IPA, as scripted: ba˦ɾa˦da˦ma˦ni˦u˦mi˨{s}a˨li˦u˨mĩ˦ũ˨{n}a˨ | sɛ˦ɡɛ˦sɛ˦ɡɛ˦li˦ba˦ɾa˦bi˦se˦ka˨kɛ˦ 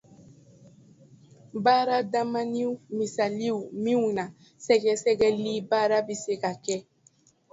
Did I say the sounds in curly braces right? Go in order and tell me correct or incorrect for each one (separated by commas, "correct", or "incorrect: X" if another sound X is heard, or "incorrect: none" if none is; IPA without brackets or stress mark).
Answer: correct, correct